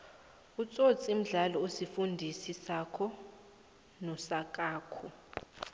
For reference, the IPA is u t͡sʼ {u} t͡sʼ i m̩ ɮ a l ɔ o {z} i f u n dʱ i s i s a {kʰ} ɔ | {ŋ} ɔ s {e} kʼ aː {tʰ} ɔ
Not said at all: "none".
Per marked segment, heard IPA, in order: o, s, kʰ, n, a, kʰ

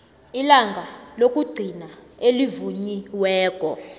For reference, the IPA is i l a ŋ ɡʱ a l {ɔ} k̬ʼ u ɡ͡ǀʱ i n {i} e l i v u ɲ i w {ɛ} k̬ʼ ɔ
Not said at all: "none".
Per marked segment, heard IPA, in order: o, a, ɛː

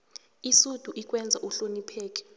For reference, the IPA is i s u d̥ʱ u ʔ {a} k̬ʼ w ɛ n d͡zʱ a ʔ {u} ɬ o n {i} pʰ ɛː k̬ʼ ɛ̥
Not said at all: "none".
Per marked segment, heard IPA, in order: i, u, i

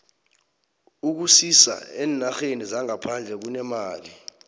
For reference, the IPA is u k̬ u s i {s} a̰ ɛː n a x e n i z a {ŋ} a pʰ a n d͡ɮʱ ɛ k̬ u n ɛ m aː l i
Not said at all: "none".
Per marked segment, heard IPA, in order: s, ŋ

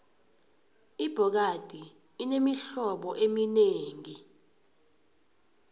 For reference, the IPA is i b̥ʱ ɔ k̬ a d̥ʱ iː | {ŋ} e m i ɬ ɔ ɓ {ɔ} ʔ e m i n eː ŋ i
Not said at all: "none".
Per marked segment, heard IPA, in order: n, ɔ

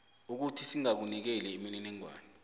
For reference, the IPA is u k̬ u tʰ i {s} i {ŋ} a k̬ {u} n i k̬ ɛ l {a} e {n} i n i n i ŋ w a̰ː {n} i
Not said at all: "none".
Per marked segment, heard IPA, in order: s, ŋ, u, ɛ, m, n

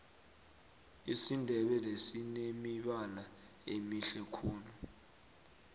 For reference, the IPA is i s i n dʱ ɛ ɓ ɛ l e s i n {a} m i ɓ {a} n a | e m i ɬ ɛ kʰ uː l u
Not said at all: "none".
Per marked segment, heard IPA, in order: e, a

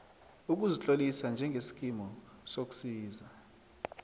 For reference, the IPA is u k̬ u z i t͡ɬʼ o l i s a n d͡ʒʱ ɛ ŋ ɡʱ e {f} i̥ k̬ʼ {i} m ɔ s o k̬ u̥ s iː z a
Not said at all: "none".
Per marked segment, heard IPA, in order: s, i

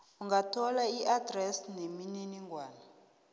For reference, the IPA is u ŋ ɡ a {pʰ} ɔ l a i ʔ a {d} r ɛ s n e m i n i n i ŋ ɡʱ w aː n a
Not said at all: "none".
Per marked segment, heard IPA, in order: tʰ, d

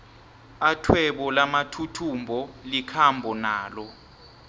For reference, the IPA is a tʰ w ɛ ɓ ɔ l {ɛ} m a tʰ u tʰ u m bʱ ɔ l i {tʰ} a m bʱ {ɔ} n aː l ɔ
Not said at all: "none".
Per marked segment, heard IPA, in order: a, kʰ, ɔ

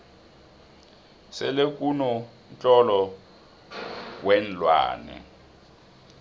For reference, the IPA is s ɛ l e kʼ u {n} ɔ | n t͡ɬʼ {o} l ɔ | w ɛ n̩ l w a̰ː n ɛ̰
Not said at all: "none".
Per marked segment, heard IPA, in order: n, ɔ

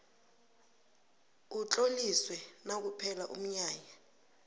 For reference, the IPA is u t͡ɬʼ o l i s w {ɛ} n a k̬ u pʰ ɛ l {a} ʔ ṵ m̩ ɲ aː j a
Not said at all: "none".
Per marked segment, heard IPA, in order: ɛ, a

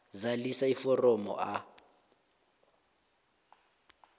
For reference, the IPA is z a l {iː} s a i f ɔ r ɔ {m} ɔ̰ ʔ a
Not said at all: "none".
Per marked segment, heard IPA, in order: i, m

